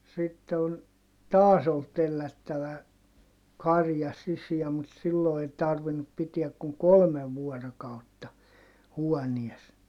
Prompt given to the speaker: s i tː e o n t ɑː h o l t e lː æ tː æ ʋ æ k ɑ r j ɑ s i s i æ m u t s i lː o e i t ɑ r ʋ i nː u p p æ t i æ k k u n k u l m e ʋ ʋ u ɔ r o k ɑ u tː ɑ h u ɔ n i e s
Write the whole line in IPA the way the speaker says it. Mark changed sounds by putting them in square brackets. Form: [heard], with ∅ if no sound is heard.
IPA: s i tː e o n t ɑː [s] o l t e lː æ tː æ ʋ æ k ɑ r j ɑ s i s i æ m u t s i lː o e i t ɑ r ʋ i nː u p p [i] t i æ k k u [ŋ] k [o] l m e ʋ ʋ u ɔ r o k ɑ u tː ɑ h u ɔ n i e s

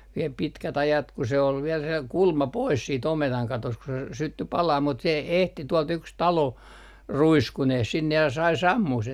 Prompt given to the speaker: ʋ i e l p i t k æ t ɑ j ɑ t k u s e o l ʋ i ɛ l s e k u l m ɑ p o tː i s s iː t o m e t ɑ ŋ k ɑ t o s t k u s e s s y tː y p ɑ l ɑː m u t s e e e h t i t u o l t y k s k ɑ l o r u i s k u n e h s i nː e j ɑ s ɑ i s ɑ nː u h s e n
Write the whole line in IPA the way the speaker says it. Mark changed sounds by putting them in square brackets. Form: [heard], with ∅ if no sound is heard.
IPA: ʋ i e l p i t k æ t ɑ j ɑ t k u s e o l ʋ i ɛ l s e k u l m ɑ p o [∅] i s s iː t o m e t ɑ ŋ k ɑ t o s t k u s e s s y tː y p ɑ l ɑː m u t s e e e h t i t u o l t y k s [t] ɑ l o r u i s k u n e h s i nː e j ɑ s ɑ i s ɑ [mː] u h s e n

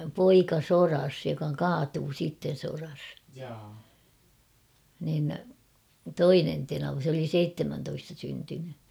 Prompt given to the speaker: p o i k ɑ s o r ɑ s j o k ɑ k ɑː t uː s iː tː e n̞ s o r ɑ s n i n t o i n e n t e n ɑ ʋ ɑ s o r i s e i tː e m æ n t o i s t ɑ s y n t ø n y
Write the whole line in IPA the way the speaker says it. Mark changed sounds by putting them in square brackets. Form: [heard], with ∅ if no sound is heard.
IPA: p o i k ɑ s o r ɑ s j o k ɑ k ɑː t uː s iː tː e n̞ s o r ɑ s n i n t o i n e n t e n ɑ ʋ ɑ s o [l] i s e i tː e m æ n t o i s t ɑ s y n t [y] n y

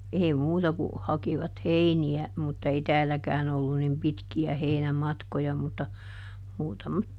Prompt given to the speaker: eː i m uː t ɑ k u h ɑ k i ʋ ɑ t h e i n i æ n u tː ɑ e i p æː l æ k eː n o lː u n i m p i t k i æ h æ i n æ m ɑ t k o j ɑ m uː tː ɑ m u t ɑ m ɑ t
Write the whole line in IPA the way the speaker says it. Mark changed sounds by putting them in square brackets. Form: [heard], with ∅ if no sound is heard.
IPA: eː i m uː t ɑ k u h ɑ k i ʋ ɑ t h e i n i æ [m] u tː ɑ e i [t] æː l æ k [æː] n o lː u n i m p i t k i æ h [e] i n æ m ɑ t k o j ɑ m [u] tː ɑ m [uː] t ɑ m ɑ t

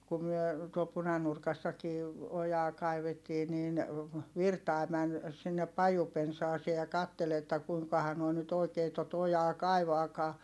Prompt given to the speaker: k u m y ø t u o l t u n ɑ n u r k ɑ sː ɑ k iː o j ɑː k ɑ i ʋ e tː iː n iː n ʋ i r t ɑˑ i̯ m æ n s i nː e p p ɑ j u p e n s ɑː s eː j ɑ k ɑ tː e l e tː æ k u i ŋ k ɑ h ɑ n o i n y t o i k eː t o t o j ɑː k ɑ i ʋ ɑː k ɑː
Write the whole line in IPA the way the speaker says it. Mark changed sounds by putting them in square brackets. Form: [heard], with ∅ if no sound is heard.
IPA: k u m y ø t u o l [p] u n ɑ n u r k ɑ sː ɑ k iː o j ɑː k ɑ i ʋ e tː iː n iː n ʋ i r t ɑˑ i̯ m æ n s i nː e p p ɑ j u p e n s ɑː s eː j ɑ k ɑ tː e l e tː æ k u i ŋ k ɑ h ɑ n o i n y t o i k eː t o t o j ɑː k ɑ i ʋ ɑː k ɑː

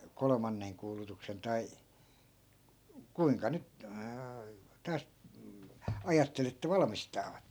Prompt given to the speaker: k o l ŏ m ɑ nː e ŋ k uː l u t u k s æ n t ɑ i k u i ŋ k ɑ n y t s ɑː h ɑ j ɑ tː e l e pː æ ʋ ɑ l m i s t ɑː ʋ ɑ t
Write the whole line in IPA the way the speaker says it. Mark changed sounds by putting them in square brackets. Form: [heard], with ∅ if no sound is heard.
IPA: k o l ŏ m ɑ nː e ŋ k uː l u t u k s [e] n t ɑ i k u i ŋ k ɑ n y t [t] ɑː [s] ɑ j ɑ tː e l e [tː] æ ʋ ɑ l m i s t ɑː ʋ ɑ t

